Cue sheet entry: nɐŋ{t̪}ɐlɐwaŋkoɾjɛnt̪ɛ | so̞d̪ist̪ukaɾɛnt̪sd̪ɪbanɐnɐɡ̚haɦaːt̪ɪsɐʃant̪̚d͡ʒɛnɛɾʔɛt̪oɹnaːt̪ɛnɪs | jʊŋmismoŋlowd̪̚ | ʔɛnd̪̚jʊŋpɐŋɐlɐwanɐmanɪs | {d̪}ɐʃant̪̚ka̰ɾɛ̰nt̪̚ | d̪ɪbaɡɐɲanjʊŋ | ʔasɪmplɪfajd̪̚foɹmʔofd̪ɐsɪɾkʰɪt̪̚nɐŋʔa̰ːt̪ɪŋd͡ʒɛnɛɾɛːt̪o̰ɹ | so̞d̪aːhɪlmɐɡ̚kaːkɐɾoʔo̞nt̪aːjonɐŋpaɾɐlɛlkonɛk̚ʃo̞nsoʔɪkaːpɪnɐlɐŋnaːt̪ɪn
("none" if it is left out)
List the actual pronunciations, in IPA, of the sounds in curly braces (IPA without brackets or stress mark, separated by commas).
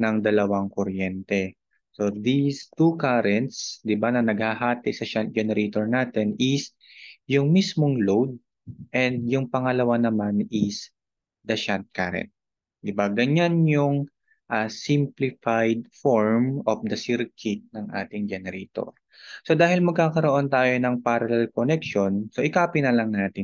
d̪, d̪